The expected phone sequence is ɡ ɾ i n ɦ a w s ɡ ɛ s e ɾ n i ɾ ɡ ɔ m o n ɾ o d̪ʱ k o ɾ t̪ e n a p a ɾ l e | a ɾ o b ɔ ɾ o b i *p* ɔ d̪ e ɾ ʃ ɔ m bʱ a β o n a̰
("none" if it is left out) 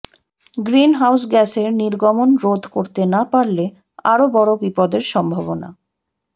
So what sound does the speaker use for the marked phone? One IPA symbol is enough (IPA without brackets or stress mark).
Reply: p